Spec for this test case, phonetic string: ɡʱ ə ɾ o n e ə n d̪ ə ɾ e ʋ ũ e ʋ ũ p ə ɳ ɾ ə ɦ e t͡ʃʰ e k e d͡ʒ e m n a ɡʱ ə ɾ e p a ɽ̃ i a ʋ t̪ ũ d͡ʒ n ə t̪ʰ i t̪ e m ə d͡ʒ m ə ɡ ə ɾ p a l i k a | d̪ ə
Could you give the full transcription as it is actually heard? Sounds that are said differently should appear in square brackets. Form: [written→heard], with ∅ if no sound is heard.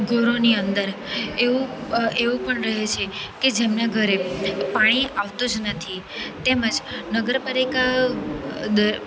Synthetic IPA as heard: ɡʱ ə ɾ o n [e→i] ə n d̪ ə ɾ e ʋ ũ e ʋ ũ p ə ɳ ɾ ə ɦ e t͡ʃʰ e k e d͡ʒ e m n a ɡʱ ə ɾ e p a ɽ̃ i a ʋ t̪ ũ d͡ʒ n ə t̪ʰ i t̪ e m ə d͡ʒ [m→n] ə ɡ ə ɾ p a l i k a | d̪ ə